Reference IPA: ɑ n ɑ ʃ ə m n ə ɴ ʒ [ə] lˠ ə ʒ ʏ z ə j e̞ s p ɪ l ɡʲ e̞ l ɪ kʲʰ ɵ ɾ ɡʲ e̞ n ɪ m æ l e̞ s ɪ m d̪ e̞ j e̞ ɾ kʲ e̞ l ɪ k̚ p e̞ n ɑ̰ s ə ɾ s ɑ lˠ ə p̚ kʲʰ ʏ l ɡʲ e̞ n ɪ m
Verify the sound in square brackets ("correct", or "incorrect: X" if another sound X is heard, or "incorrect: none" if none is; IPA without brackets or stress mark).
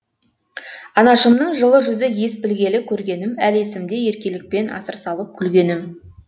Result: correct